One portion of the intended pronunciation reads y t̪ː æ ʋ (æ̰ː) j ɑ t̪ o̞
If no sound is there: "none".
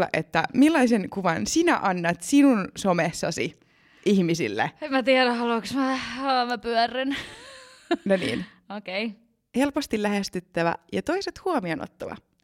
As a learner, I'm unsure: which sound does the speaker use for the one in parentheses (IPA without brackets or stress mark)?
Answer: æ̰